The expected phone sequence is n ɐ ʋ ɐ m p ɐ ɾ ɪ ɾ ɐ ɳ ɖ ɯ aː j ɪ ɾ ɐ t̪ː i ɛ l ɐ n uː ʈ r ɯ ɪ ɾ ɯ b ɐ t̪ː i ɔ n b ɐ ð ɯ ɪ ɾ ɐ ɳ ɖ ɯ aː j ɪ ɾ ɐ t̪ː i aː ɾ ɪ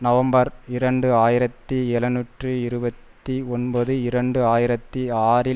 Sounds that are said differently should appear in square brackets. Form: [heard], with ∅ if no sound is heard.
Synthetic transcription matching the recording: n ɐ ʋ ɐ m [b] ɐ ɾ ɪ ɾ ɐ ɳ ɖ ɯ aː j ɪ ɾ ɐ t̪ː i ɛ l ɐ n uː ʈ r ɯ ɪ ɾ ɯ b ɐ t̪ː i ɔ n b ɐ ð ɯ ɪ ɾ ɐ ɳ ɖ ɯ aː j ɪ ɾ ɐ t̪ː i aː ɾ ɪ